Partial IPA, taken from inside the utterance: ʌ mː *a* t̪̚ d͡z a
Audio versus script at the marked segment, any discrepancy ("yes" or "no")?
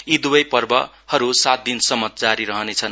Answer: yes